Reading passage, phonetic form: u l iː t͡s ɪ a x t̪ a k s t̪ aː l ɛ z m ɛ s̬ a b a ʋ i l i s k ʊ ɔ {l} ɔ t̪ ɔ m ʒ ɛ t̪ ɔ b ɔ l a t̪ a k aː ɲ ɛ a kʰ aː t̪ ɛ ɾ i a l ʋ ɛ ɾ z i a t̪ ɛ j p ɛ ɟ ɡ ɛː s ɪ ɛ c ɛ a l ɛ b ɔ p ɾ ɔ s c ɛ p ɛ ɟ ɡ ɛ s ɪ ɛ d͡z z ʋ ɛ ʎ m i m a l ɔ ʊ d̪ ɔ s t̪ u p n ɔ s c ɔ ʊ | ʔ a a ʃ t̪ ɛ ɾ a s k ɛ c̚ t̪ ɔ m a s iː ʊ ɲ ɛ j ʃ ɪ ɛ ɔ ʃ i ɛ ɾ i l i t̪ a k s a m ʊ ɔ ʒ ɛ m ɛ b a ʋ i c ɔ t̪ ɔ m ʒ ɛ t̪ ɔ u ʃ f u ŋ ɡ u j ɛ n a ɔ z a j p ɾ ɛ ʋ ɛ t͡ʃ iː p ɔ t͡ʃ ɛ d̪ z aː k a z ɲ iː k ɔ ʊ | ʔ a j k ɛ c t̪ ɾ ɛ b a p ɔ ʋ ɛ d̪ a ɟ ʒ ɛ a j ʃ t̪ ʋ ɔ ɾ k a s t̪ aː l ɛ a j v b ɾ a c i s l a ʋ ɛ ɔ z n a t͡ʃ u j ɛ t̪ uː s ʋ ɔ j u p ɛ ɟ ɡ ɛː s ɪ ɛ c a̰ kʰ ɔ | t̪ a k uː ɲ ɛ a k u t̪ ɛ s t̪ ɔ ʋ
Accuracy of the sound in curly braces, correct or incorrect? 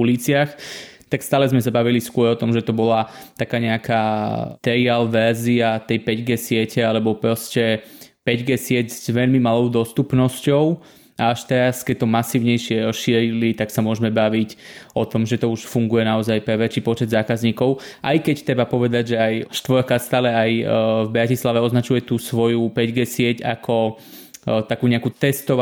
incorrect